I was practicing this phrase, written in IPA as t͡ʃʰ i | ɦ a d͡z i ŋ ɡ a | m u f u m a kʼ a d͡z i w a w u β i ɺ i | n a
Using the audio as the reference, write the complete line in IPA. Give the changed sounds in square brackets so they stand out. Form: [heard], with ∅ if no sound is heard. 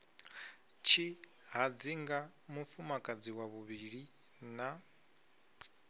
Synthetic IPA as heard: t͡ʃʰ i | ɦ a d͡z i ŋ ɡ a | m u f u m a kʼ a d͡z i w a [β] u β i ɺ i | n a